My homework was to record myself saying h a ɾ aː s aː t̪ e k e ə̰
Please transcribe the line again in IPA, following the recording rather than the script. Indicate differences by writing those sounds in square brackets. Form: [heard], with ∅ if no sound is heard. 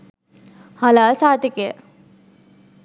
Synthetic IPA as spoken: h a [l] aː s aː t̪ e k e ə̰